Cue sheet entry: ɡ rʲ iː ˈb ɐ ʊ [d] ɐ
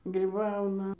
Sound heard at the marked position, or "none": n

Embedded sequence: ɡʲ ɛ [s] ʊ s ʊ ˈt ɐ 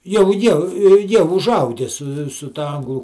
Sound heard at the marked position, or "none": s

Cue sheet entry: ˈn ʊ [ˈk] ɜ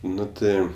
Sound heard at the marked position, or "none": t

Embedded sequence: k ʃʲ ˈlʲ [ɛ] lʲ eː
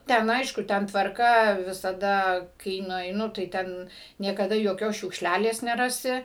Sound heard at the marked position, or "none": æ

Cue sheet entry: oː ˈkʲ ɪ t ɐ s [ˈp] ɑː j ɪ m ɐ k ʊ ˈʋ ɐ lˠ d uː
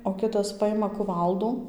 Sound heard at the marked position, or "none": p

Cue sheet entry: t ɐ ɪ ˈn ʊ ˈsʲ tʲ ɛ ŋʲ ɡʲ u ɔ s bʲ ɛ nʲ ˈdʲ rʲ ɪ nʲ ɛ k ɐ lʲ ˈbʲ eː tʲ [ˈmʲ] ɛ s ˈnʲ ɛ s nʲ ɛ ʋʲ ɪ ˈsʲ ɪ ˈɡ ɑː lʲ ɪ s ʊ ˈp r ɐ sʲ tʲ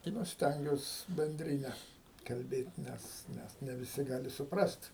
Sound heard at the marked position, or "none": nʲ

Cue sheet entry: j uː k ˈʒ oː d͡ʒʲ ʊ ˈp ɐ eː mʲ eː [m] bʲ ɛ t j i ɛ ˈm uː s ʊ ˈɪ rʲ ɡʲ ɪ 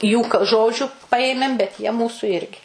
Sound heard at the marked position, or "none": m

